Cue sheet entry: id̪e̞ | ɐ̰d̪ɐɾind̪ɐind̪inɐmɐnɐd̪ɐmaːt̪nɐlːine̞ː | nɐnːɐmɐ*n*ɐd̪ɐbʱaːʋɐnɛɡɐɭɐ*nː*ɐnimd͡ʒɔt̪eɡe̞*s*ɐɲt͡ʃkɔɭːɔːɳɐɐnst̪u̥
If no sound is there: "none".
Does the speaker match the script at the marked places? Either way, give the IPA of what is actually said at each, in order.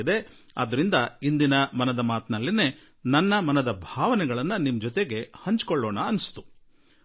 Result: n, nː, h

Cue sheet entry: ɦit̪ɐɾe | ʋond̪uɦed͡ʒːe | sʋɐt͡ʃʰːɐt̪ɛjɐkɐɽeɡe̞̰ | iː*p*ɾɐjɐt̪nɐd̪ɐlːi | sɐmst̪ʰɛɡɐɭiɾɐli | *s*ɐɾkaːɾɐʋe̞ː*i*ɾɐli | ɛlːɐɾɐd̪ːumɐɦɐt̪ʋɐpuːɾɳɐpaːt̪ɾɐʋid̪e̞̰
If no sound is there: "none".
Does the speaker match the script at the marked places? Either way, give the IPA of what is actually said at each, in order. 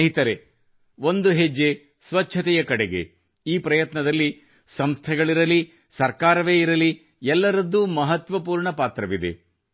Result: p, s, i

